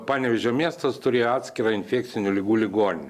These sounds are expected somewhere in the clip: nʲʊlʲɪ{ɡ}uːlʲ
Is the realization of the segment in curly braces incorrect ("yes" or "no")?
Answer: no